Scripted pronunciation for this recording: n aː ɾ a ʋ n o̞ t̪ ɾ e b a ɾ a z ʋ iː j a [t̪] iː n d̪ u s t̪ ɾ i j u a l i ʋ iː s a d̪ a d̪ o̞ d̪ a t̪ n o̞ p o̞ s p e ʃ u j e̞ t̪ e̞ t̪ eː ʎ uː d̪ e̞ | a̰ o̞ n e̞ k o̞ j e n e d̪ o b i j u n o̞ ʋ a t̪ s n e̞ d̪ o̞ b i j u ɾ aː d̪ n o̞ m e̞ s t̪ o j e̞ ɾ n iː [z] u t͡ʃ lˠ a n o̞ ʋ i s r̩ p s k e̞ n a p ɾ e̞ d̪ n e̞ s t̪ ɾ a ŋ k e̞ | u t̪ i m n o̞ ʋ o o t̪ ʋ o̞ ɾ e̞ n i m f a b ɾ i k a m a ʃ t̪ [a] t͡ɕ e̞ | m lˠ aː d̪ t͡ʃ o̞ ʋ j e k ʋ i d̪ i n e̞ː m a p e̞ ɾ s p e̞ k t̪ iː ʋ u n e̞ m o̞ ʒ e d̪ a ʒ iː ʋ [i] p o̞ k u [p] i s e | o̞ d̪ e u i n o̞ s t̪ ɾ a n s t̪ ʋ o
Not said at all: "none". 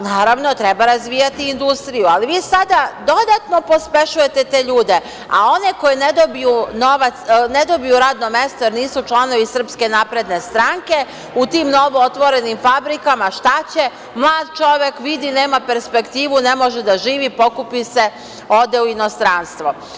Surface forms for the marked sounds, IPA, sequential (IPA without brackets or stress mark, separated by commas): t̪, s, a, i, p